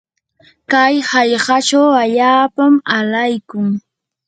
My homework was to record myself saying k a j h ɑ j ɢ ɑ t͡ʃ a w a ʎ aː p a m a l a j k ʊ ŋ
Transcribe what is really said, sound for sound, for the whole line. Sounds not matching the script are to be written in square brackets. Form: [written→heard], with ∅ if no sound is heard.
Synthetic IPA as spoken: k a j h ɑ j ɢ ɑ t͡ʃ a w a ʎ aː p a m a l a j k ʊ ŋ